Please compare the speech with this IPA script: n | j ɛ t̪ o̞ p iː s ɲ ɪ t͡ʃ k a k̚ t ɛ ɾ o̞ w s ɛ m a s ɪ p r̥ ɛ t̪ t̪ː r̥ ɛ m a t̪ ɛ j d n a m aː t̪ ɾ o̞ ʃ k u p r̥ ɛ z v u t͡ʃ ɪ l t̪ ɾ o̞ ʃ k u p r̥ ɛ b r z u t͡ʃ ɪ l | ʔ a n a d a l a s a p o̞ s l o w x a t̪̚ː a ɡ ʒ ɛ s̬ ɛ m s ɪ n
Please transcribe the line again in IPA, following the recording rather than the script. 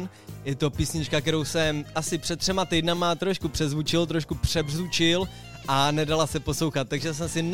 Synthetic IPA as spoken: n | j ɛ t̪ o̞ p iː s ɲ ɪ t͡ʃ k a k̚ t ɛ ɾ o̞ w s ɛ m a s ɪ p r̥ ɛ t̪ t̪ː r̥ ɛ m a t̪ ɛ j d n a m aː t̪ ɾ o̞ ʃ k u p r̥ ɛ z v u t͡ʃ ɪ l t̪ ɾ o̞ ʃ k u p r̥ ɛ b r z u t͡ʃ ɪ l | ʔ a n ɛ d a l a s ɛ p o̞ s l o w x a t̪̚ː a ɡ ʒ ɛ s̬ ɛ m s ɪ n